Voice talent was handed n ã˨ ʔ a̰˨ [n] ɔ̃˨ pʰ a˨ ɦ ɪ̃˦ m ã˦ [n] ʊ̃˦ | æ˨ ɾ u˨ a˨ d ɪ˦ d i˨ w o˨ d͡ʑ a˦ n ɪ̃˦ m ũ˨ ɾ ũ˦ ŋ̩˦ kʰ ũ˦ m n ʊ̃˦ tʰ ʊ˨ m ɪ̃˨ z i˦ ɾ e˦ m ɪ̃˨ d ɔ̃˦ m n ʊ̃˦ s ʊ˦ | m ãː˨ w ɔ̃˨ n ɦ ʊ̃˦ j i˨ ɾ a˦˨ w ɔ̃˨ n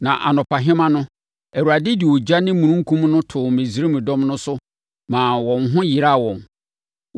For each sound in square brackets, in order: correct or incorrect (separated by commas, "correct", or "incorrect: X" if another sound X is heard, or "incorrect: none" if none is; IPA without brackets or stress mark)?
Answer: correct, correct